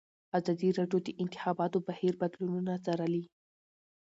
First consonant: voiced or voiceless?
voiced